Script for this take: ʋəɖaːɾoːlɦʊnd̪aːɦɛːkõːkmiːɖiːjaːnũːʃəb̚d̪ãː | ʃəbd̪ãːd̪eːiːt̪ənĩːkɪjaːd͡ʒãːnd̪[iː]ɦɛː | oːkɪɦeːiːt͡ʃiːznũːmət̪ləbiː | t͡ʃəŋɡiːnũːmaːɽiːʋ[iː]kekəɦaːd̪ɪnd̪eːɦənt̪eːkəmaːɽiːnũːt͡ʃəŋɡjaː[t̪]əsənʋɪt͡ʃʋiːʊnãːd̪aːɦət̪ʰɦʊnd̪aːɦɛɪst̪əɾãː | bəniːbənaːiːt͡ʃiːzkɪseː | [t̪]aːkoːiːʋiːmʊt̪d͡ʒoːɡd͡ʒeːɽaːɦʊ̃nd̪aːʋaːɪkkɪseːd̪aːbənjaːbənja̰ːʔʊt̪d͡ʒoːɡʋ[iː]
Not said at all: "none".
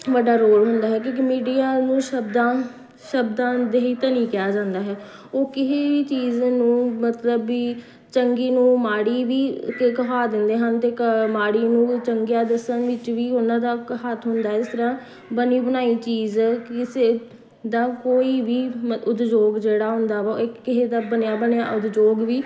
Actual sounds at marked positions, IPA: aː, iː, d̪, d̪, iː

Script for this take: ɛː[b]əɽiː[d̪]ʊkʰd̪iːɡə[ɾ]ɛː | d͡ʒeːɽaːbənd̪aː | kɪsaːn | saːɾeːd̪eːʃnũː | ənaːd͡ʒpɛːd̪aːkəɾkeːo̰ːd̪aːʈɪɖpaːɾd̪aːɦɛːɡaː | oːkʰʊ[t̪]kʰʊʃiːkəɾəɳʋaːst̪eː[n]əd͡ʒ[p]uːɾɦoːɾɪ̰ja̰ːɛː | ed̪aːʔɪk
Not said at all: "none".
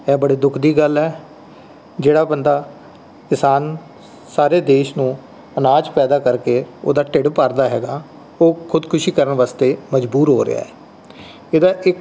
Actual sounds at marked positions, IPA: b, d̪, l, d̪, m, b

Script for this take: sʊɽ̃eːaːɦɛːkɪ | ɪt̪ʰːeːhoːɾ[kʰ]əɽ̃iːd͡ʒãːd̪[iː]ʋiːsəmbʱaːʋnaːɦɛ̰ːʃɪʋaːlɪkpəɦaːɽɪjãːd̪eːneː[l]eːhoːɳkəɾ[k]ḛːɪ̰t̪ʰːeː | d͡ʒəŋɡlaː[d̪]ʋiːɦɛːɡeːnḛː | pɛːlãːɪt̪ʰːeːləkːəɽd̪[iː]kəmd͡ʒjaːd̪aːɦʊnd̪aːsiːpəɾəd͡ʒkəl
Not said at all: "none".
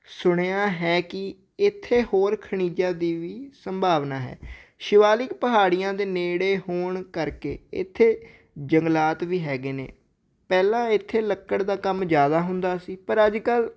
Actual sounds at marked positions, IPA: kʰ, iː, ɽ, k, t̪, aː

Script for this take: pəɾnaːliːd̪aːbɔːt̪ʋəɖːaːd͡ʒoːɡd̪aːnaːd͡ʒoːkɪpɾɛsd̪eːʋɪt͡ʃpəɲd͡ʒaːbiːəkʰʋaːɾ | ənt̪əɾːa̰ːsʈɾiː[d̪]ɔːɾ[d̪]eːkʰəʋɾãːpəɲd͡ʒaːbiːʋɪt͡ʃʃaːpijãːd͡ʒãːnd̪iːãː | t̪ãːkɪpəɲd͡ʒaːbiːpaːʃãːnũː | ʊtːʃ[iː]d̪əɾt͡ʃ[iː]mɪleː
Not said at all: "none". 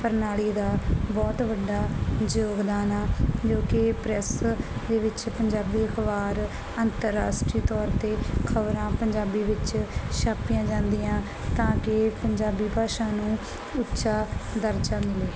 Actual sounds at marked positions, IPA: t̪, t̪, aː, aː

